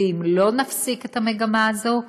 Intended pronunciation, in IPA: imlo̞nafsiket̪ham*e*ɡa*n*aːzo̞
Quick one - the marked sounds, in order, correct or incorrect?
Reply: correct, incorrect: m

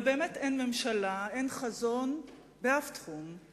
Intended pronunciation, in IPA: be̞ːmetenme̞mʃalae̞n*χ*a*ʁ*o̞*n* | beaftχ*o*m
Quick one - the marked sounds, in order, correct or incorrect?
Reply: correct, incorrect: z, correct, incorrect: u

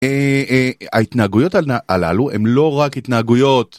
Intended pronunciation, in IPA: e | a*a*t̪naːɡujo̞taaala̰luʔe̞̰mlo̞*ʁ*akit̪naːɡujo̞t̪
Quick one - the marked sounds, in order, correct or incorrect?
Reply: incorrect: i, correct

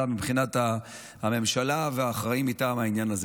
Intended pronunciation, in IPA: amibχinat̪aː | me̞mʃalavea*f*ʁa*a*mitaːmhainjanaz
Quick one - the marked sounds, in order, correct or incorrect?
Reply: incorrect: χ, incorrect: i

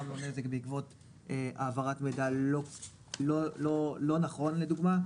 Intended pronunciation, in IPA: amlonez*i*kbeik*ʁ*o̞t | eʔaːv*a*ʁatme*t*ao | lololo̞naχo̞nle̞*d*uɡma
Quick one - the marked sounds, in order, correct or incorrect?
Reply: incorrect: e, incorrect: v, correct, incorrect: d, correct

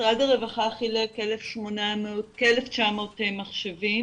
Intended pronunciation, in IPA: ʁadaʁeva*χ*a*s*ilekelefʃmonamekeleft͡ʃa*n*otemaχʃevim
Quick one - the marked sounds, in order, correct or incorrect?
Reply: correct, incorrect: χ, incorrect: m

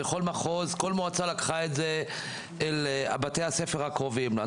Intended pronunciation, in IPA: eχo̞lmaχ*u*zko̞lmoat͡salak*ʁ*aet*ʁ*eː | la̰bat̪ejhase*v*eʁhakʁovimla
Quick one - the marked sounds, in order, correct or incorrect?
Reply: incorrect: o, incorrect: χ, incorrect: z, incorrect: f

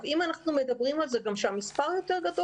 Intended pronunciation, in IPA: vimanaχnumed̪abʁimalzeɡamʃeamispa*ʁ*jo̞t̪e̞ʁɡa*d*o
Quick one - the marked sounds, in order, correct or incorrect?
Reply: correct, correct

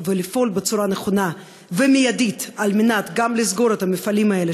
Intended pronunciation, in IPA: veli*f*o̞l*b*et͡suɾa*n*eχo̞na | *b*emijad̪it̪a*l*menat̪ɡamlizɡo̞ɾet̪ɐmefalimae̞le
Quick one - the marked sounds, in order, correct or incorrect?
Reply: correct, correct, correct, incorrect: v, correct

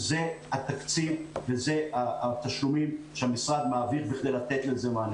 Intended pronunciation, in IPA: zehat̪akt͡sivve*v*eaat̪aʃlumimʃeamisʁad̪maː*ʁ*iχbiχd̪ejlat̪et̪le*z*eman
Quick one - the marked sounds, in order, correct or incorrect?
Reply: incorrect: z, incorrect: v, correct

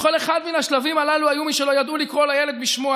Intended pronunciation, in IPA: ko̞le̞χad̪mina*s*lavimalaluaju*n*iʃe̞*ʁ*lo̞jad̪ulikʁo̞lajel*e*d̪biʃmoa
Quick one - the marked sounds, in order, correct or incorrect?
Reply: incorrect: ʃ, incorrect: m, incorrect: none, correct

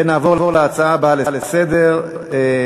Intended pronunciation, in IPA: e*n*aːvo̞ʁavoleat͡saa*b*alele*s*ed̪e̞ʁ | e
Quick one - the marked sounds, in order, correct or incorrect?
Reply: correct, correct, correct

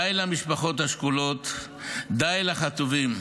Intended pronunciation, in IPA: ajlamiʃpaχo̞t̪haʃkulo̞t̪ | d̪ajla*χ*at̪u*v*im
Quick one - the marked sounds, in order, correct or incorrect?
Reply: correct, correct

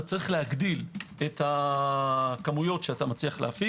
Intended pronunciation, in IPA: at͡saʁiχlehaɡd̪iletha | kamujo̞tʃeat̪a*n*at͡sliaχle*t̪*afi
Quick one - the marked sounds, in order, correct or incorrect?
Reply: incorrect: m, incorrect: none

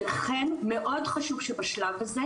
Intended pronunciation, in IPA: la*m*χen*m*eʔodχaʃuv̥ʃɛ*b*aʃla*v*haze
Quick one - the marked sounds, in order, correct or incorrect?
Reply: incorrect: none, correct, correct, correct

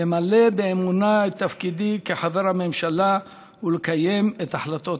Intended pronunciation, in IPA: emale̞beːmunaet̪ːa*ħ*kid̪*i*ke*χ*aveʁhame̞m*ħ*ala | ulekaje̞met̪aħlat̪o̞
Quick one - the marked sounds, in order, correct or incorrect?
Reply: incorrect: f, correct, incorrect: ħ, incorrect: ʃ

